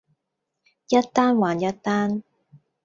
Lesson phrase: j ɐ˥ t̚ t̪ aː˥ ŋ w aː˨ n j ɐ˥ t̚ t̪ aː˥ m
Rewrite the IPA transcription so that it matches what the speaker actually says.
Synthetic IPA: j ɐ˥ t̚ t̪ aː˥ n w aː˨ n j ɐ˥ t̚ t̪ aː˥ n